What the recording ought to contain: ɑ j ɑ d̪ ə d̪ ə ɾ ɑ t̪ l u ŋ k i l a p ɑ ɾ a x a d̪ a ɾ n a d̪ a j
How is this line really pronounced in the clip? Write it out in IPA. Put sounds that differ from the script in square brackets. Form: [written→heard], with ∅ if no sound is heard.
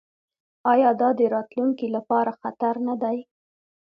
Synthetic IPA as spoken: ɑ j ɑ d̪ [ə→ɑ] d̪ ə ɾ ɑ t̪ l u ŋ k i l a p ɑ ɾ a x a [d̪→t̪] a ɾ n a d̪ a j